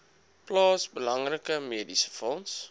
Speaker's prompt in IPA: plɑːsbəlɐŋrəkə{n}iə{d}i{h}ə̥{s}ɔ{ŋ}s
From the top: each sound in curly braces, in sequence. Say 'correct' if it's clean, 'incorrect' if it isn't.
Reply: incorrect, correct, incorrect, incorrect, incorrect

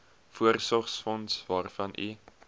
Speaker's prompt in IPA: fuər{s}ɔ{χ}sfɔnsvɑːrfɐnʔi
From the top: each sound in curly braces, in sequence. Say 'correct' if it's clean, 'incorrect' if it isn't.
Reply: correct, correct

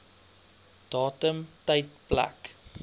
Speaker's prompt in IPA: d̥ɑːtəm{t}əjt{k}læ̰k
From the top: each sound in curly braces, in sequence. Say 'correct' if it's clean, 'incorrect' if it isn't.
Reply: correct, incorrect

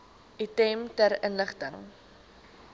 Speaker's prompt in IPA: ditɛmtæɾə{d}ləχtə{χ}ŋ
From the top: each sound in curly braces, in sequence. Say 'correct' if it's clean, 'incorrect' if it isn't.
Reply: incorrect, incorrect

